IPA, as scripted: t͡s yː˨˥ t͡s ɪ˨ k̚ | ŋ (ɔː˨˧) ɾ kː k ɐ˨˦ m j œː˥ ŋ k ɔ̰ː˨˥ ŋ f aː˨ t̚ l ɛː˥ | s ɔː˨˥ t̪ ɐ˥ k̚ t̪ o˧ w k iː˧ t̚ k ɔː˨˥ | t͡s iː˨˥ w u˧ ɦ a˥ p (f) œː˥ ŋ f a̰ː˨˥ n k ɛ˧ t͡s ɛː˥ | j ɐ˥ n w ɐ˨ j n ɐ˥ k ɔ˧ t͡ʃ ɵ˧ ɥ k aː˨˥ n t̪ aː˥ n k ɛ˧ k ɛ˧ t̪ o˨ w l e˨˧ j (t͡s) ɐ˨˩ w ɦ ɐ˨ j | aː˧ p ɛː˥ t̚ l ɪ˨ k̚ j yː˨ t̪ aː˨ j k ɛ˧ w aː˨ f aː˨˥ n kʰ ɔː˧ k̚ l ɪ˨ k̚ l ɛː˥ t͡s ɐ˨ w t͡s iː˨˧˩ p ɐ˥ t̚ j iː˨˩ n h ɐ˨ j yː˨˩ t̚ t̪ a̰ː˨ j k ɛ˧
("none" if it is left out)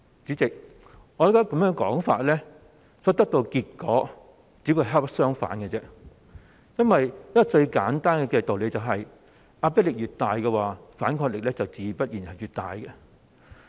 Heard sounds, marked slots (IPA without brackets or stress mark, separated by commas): ɔ˨˧, s, t͡s